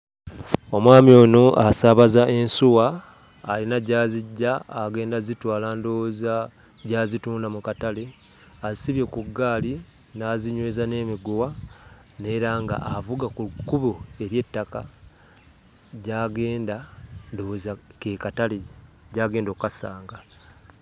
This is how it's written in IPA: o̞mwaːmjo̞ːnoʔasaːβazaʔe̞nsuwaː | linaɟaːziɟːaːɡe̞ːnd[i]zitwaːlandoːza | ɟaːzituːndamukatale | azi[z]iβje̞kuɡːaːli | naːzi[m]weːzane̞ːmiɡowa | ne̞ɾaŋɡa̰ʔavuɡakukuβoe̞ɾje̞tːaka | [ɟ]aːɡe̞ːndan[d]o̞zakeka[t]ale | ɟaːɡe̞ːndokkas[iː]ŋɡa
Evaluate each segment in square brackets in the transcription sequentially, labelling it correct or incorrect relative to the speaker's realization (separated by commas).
incorrect, incorrect, incorrect, correct, correct, correct, incorrect